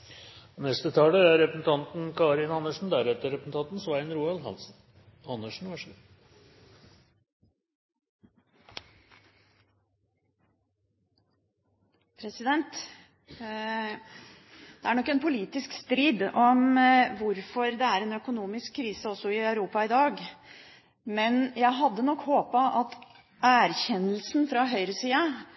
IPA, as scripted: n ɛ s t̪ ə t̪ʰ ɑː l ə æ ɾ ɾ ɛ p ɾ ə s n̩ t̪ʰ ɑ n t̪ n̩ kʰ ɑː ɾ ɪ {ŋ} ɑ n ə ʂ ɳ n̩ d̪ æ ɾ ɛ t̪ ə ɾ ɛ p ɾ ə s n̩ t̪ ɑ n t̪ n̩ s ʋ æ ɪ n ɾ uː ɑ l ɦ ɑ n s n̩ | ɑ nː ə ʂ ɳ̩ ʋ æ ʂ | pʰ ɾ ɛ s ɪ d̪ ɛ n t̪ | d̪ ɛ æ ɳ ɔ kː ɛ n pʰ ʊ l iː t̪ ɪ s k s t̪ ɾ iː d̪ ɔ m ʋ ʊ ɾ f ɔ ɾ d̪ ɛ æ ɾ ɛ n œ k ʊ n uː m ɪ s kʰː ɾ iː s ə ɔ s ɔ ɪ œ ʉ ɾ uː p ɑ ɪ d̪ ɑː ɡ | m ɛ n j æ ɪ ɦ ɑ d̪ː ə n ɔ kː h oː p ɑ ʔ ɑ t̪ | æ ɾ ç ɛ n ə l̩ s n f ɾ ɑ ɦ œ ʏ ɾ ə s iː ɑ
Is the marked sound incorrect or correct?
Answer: incorrect: n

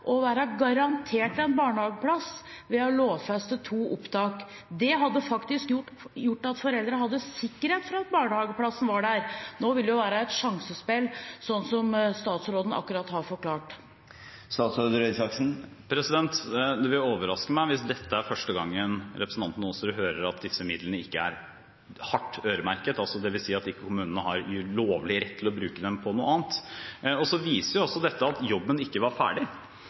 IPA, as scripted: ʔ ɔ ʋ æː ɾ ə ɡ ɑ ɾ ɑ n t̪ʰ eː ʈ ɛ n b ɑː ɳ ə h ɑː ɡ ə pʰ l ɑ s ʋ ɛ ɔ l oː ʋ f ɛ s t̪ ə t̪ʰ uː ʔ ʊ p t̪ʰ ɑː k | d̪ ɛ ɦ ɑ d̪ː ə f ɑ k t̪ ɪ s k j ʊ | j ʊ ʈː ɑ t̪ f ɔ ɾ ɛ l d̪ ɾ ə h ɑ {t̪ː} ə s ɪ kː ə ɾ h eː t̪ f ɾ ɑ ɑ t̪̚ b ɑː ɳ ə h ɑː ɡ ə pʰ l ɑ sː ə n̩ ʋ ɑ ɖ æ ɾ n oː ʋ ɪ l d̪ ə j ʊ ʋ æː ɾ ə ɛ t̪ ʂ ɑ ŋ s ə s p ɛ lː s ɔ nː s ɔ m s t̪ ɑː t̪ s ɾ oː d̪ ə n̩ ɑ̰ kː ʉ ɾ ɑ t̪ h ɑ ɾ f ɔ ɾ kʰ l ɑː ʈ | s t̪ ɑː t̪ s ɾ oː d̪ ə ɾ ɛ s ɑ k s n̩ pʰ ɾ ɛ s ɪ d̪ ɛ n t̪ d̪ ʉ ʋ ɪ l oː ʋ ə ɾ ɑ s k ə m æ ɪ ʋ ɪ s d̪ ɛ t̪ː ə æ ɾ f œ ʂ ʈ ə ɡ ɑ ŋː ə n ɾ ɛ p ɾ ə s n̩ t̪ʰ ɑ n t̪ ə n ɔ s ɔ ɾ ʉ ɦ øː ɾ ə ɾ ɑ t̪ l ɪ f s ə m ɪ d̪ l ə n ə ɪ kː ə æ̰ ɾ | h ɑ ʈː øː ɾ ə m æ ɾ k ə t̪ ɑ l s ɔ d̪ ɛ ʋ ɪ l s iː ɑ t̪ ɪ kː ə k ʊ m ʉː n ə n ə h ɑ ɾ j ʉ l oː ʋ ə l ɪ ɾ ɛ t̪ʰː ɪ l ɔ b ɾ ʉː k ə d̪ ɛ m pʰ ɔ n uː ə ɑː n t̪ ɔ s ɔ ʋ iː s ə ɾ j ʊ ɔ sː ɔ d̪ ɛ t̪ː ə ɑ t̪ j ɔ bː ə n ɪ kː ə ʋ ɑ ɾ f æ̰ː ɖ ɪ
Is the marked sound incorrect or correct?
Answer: incorrect: d̪ː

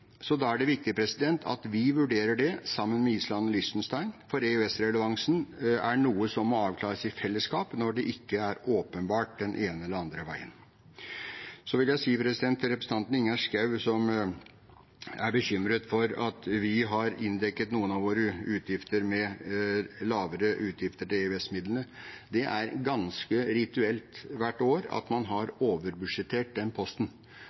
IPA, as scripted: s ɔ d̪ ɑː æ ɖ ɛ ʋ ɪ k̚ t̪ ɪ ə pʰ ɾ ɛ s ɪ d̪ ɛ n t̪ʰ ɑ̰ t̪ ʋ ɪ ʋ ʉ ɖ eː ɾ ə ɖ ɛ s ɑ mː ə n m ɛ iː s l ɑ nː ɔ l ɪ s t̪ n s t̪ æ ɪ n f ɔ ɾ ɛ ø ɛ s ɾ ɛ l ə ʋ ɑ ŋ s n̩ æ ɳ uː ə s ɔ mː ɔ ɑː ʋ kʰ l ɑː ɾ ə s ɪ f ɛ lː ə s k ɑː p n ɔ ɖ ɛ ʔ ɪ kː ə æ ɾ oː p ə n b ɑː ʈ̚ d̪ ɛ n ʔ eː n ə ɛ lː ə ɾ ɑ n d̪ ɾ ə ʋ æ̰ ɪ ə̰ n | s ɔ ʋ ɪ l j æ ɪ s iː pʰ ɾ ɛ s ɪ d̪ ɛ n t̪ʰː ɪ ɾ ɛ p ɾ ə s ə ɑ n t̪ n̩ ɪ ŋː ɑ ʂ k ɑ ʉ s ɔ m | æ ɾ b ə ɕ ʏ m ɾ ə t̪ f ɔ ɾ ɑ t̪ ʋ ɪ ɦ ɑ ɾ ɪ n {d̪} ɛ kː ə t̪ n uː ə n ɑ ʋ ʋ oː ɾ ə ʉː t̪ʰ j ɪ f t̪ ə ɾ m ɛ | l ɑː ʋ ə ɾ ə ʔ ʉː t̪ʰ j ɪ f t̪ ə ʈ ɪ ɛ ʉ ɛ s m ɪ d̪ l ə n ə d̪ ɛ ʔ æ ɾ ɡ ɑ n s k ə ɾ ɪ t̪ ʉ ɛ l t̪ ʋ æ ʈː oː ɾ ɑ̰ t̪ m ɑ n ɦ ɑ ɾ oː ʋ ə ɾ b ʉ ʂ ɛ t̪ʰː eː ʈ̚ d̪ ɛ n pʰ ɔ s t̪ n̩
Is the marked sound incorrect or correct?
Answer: correct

